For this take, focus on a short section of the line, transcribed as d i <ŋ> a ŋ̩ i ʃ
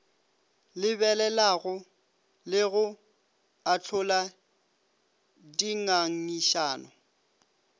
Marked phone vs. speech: correct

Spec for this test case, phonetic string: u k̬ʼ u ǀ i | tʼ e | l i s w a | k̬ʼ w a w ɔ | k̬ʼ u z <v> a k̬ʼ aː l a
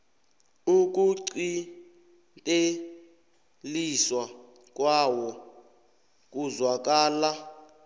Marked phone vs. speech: incorrect: w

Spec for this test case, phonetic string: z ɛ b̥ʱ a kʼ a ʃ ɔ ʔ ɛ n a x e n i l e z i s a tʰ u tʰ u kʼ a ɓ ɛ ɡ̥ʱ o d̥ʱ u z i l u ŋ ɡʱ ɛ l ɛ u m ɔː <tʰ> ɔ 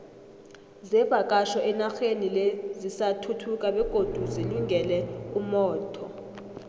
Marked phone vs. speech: correct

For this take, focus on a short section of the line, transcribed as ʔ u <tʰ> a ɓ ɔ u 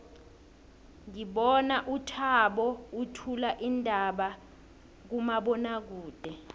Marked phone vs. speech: correct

